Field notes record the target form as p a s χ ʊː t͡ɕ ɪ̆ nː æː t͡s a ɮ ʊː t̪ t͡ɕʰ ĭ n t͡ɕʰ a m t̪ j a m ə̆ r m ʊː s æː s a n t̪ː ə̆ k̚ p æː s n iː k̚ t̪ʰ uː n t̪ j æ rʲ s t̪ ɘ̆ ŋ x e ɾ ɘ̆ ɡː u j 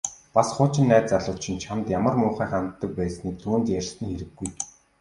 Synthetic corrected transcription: p a s χ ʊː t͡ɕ ɪ̆ nː æː t͡s a ɮ ʊː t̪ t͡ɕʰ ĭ n t͡ɕʰ a m t̪ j a m ə̆ r m ʊː χ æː χ a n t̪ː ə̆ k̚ p æː s n iː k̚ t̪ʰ uː n t̪ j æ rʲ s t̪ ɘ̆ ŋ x e ɾ ɘ̆ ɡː u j